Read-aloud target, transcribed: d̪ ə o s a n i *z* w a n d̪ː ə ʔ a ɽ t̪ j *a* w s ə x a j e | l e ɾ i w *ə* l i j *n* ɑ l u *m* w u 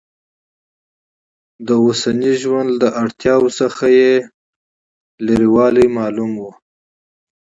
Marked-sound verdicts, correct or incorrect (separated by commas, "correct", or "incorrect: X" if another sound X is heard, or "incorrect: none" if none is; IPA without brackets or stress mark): incorrect: ʒ, incorrect: ɑ, incorrect: ɑ, incorrect: m, correct